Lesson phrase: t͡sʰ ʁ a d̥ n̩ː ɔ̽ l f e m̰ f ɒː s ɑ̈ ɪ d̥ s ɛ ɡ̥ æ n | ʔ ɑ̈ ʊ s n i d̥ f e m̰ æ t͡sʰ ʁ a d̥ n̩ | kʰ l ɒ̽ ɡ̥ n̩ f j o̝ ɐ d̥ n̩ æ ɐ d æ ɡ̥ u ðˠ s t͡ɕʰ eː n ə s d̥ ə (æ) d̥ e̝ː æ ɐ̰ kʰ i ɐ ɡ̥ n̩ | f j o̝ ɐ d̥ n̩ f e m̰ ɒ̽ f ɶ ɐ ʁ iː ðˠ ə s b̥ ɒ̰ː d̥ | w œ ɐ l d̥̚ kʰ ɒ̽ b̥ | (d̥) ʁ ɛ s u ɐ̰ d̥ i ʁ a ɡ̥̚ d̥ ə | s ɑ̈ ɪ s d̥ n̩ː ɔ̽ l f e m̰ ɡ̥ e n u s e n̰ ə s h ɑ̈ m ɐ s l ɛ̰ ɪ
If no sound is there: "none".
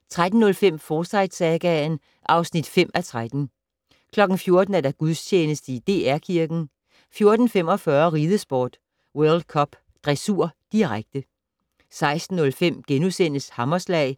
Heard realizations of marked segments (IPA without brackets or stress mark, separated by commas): i, d̥